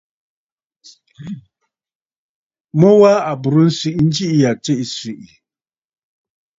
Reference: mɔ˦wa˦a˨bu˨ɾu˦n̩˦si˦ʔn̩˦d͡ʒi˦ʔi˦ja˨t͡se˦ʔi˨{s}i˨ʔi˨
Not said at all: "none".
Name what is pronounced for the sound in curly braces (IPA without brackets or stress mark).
s